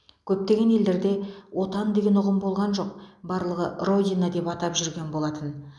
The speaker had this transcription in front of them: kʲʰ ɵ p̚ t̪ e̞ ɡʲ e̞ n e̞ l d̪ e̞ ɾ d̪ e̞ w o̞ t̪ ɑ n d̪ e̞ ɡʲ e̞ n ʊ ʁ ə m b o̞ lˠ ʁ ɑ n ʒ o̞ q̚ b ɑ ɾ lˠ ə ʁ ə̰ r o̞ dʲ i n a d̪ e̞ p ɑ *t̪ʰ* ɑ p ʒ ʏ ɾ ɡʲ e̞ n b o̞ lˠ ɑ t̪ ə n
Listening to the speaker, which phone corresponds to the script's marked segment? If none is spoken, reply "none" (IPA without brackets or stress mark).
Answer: t̪